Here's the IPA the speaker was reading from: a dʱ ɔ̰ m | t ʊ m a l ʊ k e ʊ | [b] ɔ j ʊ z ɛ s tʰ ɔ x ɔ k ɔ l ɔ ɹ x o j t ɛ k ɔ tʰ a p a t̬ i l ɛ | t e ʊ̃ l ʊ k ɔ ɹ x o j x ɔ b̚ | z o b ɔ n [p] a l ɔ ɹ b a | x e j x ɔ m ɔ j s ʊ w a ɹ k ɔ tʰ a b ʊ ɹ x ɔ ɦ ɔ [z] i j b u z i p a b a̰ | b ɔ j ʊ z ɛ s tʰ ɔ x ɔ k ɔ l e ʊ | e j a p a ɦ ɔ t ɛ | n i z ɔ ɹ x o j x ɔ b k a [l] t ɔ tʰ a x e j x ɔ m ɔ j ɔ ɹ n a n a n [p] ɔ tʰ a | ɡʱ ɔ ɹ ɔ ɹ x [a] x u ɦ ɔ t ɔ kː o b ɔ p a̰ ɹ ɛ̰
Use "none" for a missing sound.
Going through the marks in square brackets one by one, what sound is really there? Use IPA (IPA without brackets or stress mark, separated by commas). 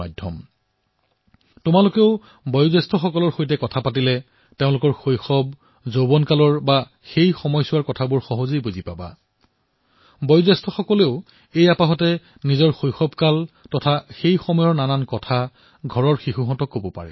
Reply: b, k, z, l, k, i